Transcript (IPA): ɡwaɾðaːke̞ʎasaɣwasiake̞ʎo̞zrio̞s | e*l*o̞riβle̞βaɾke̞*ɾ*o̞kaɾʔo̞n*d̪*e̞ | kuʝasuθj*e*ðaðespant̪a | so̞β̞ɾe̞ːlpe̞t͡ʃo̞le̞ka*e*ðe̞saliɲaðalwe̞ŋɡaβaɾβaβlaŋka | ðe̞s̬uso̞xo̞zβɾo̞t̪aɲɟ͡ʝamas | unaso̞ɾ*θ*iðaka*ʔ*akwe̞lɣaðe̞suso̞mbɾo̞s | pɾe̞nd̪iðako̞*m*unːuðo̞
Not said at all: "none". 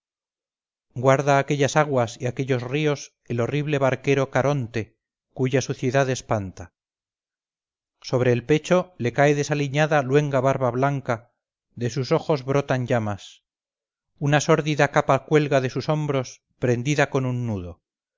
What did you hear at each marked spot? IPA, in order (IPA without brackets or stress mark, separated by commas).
l, ɾ, t̪, e, e, ð, p, n